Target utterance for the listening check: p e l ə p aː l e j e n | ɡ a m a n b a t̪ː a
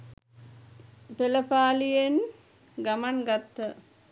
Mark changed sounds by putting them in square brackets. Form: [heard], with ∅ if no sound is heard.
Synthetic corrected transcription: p e l ə p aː l [i] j e n | ɡ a m a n [ɡ] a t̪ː [ə]